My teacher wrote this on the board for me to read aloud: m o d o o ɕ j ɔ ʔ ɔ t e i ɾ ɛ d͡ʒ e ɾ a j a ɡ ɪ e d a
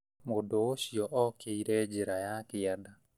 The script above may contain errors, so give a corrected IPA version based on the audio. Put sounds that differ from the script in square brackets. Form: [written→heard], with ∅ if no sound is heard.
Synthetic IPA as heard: m o d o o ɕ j ɔ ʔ ɔ [t→k] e i ɾ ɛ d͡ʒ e ɾ a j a [ɡ→k] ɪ [e→a] d a